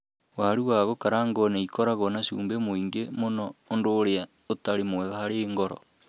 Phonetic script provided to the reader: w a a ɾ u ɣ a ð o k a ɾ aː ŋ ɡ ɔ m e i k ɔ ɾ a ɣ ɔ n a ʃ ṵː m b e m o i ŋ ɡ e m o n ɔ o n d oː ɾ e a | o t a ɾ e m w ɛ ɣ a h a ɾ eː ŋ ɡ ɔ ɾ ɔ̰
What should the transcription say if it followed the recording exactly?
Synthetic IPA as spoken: w a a ɾ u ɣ a ɣ o k a ɾ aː ŋ ɡ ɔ n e i k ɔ ɾ a ɣ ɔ n a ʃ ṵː m b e m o i ŋ ɡ e m o n ɔ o n d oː ɾ e a | o t a ɾ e m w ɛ ɣ a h a ɾ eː ŋ ɡ ɔ ɾ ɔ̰